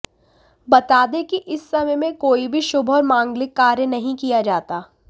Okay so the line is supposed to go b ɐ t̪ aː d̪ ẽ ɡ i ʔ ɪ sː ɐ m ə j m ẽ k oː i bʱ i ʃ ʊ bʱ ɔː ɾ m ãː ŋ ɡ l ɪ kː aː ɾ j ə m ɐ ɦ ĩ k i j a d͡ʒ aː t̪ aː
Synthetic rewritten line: b ɐ t̪ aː d̪ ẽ k i ʔ ɪ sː ɐ m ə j m ẽ k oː i bʱ i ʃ ʊ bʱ ɔː ɾ m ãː ŋ ɡ l ɪ kː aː ɾ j ə n ɐ ɦ ĩ k i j a d͡ʒ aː t̪ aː

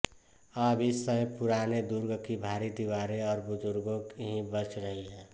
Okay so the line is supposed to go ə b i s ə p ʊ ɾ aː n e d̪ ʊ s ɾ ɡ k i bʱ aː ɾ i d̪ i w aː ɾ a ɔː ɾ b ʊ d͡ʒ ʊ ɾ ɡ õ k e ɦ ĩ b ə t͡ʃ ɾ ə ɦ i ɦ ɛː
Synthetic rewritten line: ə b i s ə p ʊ ɾ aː n e d̪ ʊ ɾ ɡ k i bʱ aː ɾ i d̪ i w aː ɾ e ɔː ɾ b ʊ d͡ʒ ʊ ɾ ɡ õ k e ɦ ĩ b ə t͡ʃ ɾ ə ɦ i ɦ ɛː

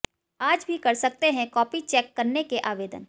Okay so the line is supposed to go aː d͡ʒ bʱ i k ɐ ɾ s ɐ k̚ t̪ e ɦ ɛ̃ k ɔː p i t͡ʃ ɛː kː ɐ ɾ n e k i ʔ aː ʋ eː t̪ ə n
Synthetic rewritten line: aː d͡ʒ bʱ i k ɐ ɾ s ɐ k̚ t̪ e ɦ ɛ̃ k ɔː p i t͡ʃ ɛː kː ɐ ɾ n e k e ʔ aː ʋ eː d̪ ə n

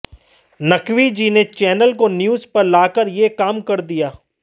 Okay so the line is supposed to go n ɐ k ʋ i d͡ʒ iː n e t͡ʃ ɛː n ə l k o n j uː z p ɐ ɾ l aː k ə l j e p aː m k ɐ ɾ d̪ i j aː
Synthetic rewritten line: n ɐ k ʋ i d͡ʒ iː n e t͡ʃ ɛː n ə l k o n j uː z p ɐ ɾ l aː k ə ɾ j e k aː m k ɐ ɾ d̪ i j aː

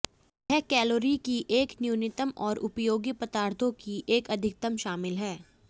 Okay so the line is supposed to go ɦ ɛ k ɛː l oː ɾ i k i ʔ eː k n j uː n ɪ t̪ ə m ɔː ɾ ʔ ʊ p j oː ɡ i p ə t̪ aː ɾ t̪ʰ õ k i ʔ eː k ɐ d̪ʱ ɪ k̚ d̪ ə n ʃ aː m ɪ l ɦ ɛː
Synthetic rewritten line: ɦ ɛ k ɛː l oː ɾ i k i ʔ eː k n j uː n ɪ t̪ ə m ɔː ɾ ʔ ʊ p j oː ɡ i p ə t̪ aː ɾ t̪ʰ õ k i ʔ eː k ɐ d̪ʱ ɪ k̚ t̪ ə m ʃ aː m ɪ l ɦ ɛː

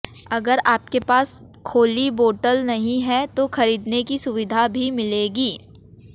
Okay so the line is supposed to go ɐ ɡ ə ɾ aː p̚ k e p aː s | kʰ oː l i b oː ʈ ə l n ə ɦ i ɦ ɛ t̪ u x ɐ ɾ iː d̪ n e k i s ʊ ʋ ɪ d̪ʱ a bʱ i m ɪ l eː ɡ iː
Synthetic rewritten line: ɐ ɡ ə ɾ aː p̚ k e p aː s | kʰ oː l i b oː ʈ ə l n ɐ ɦ ĩ ɦ ɛ t̪ o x ɐ ɾ iː d̪ n e k i s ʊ ʋ ɪ d̪ʱ a bʱ i m ɪ l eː ɡ iː

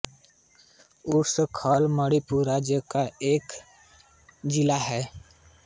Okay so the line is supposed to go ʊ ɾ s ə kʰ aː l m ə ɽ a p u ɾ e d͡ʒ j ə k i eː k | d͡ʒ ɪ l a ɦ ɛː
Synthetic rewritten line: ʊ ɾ s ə kʰ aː l m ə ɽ i p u ɾ a d͡ʒ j ə k a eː k | d͡ʒ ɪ l a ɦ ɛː

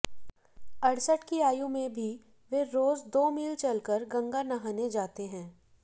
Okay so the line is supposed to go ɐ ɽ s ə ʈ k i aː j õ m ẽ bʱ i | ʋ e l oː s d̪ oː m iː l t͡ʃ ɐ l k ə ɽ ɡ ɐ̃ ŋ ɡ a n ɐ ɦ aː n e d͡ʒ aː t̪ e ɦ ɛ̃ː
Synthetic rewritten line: ɐ ɽ s ə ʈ k i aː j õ m ẽ bʱ i | ʋ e ɾ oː z d̪ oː m iː l t͡ʃ ɐ l k ə ɾ ɡ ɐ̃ ŋ ɡ a n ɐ ɦ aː n e d͡ʒ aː t̪ e ɦ ɛ̃ː

